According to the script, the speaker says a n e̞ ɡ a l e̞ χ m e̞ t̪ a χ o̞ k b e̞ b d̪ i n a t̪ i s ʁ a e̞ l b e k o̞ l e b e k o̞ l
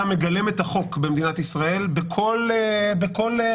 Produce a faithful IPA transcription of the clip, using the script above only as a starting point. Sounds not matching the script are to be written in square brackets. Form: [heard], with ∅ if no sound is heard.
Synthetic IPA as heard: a [m] e̞ ɡ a l e̞ [∅] m e̞ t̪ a χ o̞ k b e̞ [m] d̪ i n a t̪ i s ʁ a e̞ l b e [kʰ] o̞ l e b e k o̞ l

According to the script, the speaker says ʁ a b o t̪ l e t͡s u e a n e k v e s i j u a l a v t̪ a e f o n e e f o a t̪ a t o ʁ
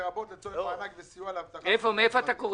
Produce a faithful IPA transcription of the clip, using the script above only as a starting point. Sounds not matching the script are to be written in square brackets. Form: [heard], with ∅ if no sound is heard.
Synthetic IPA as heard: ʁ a b o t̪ l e t͡s [o] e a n [a] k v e s i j u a l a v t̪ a e f o [m] e e f o a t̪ a [k] o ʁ

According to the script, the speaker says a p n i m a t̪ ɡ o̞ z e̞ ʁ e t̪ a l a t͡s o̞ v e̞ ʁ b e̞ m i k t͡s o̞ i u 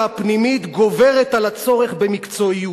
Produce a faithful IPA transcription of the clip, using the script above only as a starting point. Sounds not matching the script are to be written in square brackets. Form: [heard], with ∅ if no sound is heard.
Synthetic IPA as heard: a p n i m [i] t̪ ɡ o̞ [v] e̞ ʁ e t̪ a l a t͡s o̞ [ʁ] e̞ [χ] b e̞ m i k t͡s o̞ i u

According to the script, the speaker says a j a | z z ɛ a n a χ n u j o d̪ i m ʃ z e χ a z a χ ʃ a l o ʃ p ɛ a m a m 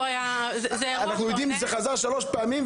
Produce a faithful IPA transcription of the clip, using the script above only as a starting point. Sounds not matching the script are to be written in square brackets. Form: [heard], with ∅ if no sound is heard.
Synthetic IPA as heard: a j a | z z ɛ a n a χ n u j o d̪ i m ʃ z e χ a z a [ʁ] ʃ a l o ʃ p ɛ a m [i] m

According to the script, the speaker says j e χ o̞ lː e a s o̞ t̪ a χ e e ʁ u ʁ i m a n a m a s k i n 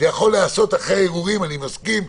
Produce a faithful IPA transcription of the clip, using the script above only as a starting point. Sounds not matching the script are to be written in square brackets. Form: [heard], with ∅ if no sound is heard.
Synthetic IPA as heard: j [a] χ o̞ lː e a s o̞ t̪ a χ e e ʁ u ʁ i m a n [i] m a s k i [m]

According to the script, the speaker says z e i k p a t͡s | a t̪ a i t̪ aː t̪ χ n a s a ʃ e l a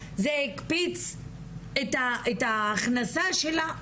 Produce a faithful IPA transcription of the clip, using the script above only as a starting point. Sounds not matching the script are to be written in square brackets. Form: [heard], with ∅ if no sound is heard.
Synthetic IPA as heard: z e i k p [i] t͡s | [e] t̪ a [e] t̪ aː [∅] χ n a s a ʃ e l a

